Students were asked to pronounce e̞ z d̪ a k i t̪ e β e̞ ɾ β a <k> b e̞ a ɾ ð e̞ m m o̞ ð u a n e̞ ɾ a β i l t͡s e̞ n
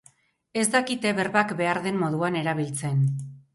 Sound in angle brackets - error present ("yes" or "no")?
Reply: no